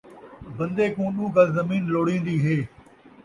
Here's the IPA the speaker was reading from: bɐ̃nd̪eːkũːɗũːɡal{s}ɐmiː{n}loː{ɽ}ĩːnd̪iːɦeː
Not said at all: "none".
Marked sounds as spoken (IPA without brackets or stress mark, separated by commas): z, n, ɽ